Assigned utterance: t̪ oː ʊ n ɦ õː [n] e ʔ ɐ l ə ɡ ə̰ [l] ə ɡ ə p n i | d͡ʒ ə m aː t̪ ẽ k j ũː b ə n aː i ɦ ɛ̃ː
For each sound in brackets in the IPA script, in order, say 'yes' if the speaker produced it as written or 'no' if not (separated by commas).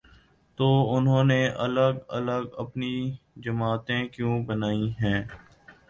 yes, yes